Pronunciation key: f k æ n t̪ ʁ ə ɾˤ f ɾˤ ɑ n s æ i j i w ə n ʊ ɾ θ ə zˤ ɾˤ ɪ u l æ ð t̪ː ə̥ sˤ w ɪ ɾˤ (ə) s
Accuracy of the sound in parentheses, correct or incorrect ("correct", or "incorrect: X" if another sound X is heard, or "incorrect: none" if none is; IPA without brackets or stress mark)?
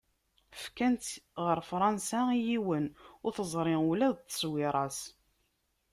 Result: incorrect: ɑ